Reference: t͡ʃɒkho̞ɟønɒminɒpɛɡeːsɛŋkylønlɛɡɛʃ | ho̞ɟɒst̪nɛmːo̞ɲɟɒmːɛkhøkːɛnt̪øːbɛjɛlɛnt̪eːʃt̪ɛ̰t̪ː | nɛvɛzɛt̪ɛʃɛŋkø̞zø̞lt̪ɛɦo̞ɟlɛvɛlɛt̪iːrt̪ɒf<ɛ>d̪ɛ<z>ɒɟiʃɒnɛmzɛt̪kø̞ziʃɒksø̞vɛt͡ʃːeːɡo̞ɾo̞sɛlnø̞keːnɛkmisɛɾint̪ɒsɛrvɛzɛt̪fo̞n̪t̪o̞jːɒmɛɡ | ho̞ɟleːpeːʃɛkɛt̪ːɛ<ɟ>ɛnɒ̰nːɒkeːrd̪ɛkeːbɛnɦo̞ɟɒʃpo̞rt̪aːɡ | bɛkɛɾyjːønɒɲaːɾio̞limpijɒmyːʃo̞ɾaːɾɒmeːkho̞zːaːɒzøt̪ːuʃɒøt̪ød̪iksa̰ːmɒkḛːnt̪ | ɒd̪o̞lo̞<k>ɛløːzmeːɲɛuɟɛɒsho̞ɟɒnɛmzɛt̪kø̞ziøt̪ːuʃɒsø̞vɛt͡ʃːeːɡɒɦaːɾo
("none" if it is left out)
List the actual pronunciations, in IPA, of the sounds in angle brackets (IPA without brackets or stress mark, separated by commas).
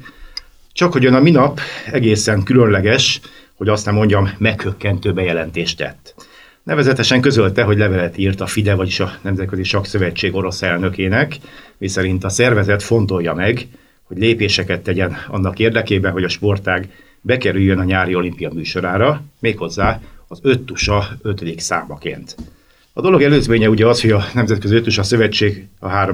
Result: i, v, ɟ, ɡ